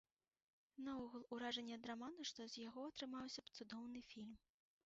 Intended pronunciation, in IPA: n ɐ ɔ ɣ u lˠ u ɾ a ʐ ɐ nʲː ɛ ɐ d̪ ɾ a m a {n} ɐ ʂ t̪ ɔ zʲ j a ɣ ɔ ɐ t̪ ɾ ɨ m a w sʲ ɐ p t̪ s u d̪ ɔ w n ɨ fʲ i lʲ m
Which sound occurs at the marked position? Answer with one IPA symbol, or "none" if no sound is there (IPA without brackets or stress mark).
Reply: n